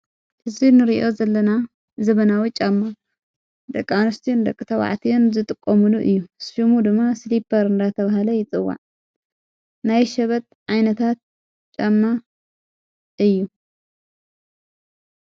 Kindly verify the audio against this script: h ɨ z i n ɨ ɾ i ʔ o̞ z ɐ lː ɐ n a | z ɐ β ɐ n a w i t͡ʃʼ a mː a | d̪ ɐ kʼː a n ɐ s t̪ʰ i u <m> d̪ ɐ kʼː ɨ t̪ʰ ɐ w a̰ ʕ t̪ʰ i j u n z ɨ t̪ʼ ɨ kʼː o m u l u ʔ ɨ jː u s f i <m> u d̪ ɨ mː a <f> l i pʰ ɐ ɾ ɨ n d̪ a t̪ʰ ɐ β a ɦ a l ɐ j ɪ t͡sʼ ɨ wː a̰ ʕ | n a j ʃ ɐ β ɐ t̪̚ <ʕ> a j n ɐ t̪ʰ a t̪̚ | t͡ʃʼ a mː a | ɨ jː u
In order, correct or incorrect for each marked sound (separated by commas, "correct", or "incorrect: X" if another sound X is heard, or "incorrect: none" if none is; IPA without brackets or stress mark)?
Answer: incorrect: n, correct, incorrect: s, correct